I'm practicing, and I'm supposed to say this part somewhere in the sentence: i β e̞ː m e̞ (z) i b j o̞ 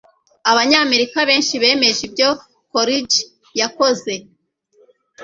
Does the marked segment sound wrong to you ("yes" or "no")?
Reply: yes